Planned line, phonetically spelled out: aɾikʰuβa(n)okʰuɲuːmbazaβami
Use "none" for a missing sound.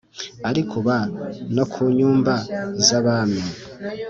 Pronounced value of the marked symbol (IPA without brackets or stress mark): n